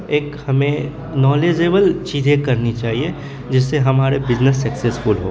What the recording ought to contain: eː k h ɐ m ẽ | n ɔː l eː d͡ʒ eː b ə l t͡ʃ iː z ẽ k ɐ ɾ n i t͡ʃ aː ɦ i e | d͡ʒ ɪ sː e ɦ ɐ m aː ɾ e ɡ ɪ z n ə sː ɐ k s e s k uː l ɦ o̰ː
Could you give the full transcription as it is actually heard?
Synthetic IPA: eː k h ɐ m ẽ | n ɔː l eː d͡ʒ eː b ə l t͡ʃ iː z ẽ k ɐ ɾ n i t͡ʃ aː ɦ i e | d͡ʒ ɪ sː e ɦ ɐ m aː ɾ e b ɪ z n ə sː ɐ k s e s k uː l ɦ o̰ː